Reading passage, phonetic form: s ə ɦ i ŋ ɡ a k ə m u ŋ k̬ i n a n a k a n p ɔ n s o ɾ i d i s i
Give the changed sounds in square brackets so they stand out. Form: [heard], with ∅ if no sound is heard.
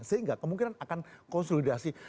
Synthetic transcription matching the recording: s ə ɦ i ŋ ɡ a k ə m u ŋ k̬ i n a n a k a n [k] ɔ n s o [l] i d [a] s i